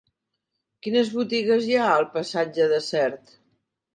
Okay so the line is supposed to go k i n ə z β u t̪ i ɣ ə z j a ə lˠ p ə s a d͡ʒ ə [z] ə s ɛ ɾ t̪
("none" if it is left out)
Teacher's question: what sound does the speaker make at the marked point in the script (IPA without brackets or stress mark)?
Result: ð